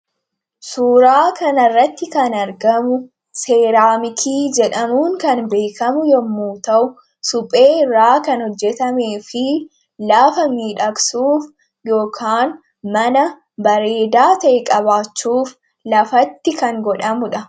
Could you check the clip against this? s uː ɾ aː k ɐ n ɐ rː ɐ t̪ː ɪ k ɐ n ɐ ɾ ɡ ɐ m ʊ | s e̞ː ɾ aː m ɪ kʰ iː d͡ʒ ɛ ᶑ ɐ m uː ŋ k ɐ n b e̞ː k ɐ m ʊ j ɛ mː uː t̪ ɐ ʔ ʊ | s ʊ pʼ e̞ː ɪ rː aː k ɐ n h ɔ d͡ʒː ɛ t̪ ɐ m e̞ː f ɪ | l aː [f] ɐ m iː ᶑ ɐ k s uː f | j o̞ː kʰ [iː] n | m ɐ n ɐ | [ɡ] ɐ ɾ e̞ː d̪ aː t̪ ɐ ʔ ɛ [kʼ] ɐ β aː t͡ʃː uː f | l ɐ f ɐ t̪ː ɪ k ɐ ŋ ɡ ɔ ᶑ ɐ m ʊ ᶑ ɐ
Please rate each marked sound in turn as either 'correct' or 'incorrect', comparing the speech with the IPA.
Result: correct, incorrect, incorrect, correct

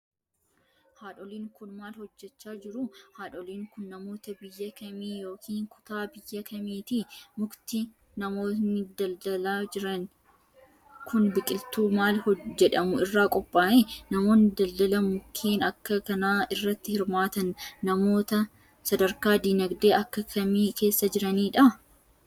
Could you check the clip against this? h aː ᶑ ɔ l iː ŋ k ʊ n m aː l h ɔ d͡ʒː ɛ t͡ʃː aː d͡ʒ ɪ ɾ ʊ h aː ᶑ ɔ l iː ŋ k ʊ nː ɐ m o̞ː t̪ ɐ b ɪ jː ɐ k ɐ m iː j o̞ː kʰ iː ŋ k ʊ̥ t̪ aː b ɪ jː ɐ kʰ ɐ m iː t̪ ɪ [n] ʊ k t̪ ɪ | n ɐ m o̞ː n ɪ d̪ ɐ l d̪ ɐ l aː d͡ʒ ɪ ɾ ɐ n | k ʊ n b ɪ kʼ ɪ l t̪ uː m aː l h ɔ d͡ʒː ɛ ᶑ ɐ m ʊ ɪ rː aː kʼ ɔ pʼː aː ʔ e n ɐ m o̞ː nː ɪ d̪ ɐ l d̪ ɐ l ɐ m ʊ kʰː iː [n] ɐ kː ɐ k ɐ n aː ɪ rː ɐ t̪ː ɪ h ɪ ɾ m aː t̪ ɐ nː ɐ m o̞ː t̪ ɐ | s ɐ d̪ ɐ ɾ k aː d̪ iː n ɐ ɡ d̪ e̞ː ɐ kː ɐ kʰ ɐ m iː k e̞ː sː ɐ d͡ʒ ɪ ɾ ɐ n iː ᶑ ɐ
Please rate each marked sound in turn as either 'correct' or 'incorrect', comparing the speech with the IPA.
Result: incorrect, correct

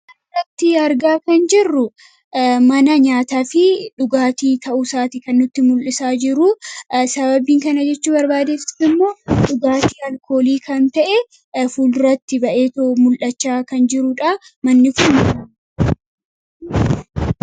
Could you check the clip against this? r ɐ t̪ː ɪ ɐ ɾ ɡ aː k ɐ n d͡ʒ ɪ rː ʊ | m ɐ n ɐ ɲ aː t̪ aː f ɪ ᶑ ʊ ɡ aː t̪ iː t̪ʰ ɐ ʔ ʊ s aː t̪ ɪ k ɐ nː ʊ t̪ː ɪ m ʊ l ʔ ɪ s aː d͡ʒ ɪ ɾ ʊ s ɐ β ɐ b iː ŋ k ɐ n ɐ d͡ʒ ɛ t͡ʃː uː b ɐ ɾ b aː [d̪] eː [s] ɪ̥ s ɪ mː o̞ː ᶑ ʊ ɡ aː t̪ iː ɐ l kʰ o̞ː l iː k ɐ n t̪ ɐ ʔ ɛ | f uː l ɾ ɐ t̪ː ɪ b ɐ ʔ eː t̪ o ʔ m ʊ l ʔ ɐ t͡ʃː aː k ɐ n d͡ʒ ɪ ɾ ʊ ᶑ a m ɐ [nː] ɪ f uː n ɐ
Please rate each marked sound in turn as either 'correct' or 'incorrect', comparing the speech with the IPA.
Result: correct, incorrect, correct

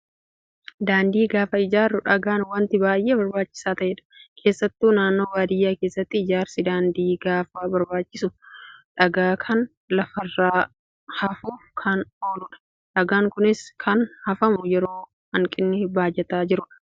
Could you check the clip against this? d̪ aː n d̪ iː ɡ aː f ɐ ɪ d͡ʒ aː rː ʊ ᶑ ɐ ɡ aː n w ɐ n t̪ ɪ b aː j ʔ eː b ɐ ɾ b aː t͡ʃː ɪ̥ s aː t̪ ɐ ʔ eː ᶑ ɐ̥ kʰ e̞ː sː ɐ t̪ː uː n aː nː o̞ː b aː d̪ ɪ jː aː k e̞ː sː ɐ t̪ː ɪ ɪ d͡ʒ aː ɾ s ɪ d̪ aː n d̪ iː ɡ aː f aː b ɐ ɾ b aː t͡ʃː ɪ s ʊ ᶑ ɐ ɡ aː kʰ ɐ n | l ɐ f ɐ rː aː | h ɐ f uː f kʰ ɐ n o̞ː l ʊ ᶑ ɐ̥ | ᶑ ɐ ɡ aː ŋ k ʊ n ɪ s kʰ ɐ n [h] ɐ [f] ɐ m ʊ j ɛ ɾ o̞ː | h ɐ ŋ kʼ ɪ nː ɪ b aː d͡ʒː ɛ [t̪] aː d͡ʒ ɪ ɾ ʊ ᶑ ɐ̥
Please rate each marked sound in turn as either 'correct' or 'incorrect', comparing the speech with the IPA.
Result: correct, correct, correct

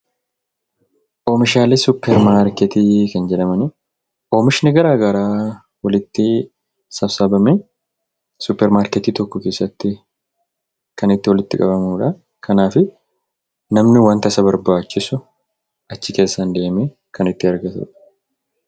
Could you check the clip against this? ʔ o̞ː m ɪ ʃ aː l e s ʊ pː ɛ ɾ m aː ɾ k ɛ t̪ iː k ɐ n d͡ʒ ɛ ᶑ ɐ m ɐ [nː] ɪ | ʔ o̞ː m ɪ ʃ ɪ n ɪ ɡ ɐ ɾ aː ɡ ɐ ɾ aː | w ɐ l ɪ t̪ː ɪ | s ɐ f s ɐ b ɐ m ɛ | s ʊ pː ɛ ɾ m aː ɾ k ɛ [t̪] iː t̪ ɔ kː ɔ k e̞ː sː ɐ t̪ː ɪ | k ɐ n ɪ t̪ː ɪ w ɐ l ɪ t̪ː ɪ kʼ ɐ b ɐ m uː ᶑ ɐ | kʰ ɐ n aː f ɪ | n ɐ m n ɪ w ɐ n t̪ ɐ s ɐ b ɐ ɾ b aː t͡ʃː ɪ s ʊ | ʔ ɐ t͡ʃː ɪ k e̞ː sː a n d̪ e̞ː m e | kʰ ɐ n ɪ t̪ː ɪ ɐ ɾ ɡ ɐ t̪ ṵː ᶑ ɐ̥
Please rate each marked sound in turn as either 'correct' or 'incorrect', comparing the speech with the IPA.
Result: incorrect, correct

